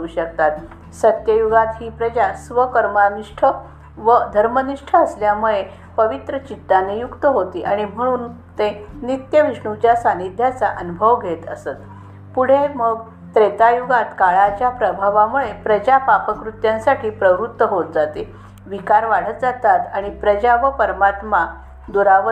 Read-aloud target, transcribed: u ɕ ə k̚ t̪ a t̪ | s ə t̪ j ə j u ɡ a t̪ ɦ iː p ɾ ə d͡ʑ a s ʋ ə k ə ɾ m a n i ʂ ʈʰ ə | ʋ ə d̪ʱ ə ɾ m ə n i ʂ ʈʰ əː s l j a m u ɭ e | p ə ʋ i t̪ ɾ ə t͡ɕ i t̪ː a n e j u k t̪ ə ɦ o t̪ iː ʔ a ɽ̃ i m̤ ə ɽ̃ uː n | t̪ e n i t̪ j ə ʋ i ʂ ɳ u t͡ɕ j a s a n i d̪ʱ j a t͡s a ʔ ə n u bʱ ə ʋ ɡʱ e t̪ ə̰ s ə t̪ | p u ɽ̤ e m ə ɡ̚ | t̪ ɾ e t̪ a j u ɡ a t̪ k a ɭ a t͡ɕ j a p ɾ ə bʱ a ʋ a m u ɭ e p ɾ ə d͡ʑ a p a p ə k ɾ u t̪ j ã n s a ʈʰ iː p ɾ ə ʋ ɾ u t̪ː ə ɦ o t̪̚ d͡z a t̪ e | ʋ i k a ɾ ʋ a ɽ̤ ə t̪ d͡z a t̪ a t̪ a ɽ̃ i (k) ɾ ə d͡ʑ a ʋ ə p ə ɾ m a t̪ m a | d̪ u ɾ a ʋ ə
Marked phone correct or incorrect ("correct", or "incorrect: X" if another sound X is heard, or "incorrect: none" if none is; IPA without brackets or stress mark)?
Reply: incorrect: p